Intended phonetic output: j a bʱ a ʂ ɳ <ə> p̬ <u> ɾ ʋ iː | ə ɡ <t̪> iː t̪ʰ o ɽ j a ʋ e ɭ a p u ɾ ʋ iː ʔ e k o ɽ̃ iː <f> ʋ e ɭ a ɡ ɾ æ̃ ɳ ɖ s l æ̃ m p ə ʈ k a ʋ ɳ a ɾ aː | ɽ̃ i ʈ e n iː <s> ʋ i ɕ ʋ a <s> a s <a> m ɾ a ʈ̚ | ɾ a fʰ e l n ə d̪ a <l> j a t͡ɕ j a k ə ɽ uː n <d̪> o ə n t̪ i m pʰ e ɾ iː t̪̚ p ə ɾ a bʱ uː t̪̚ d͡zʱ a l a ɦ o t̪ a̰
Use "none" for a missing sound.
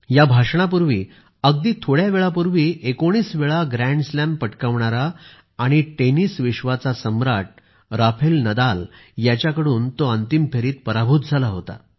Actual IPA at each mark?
a, u, d̪, s, s, t͡s, ə, l, t̪

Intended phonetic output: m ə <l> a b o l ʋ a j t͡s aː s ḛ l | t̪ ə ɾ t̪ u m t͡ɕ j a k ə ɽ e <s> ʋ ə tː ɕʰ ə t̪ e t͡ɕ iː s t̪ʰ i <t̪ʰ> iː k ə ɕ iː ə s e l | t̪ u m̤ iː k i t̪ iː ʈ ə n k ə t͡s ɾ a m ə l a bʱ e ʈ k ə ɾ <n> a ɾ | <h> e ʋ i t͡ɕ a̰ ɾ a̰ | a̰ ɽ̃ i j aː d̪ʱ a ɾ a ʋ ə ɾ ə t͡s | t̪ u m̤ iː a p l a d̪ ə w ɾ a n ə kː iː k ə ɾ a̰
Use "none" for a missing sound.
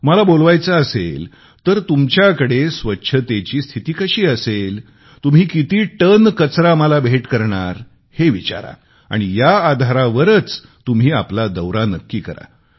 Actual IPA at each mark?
l, s, t̪, ɳ, h

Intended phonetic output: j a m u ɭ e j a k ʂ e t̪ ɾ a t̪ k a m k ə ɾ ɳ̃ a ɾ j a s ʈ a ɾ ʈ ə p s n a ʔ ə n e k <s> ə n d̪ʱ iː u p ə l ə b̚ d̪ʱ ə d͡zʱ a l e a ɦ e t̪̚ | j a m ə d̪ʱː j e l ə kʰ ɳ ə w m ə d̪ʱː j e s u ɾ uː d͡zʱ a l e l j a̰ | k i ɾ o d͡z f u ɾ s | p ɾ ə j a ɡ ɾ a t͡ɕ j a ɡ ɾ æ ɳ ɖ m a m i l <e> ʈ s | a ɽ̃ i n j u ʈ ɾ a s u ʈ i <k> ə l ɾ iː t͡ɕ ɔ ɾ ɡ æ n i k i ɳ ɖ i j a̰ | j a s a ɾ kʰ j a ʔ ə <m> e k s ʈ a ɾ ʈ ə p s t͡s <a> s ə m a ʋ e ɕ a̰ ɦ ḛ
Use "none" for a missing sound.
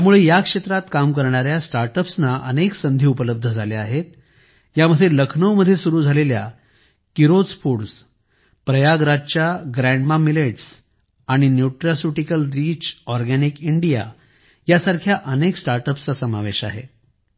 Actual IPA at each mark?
s, e, k, n, a

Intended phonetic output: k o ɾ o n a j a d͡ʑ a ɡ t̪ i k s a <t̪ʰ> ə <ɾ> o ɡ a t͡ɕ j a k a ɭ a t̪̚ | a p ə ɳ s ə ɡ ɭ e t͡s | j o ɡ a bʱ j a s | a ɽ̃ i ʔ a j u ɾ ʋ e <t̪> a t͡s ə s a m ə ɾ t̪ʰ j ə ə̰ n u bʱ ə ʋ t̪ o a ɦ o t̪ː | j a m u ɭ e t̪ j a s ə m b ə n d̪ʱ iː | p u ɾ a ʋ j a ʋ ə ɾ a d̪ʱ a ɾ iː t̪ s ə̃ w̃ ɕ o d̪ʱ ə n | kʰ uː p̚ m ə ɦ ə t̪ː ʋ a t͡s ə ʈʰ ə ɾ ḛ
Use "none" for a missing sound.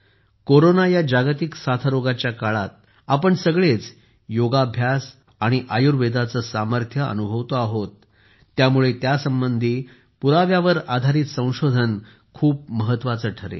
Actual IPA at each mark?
t̪ʰ, ɾ, d̪

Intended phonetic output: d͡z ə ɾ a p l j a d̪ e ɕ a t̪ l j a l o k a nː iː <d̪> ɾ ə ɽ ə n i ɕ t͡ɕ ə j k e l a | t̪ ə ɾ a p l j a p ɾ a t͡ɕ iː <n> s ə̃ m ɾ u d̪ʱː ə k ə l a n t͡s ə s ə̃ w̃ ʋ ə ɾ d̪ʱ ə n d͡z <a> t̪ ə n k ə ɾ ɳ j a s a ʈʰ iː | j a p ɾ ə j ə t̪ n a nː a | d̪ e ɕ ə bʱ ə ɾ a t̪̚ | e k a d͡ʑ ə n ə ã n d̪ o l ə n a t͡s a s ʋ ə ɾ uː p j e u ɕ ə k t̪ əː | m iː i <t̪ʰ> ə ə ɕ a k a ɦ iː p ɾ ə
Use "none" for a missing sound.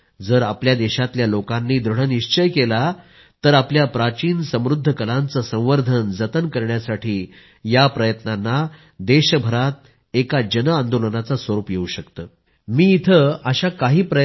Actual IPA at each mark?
d̪, n, ə, t̪ʰ

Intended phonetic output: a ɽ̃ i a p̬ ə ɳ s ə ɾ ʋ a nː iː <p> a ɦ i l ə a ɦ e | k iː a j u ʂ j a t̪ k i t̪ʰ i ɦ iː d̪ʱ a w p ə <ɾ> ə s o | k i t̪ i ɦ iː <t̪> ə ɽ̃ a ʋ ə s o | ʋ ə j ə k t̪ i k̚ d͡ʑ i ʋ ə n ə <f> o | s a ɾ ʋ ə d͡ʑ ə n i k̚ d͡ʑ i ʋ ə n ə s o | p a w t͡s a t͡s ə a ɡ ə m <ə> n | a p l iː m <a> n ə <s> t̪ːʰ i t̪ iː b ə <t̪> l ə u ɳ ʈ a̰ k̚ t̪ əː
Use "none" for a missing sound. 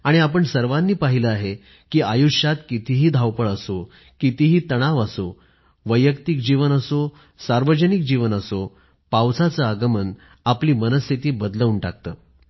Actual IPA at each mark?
p, ɭ, t̪, s, ə, ə, s, d̪

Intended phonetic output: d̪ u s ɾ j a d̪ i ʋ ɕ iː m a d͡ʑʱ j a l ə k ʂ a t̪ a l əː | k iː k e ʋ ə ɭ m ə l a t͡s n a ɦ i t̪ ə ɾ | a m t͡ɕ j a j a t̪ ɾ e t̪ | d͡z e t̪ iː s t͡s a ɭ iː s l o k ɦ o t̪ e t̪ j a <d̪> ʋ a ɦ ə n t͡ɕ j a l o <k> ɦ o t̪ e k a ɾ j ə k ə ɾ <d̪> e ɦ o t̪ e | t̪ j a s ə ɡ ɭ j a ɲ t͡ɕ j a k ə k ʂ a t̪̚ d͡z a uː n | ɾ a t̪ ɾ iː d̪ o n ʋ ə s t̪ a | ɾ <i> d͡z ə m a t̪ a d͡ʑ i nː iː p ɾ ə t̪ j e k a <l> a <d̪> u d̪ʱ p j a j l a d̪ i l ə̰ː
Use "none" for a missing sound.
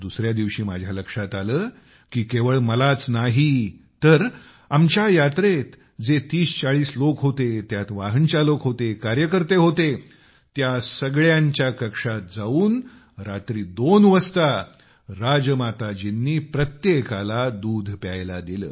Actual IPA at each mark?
t̪, k, t̪, a, l, d̪

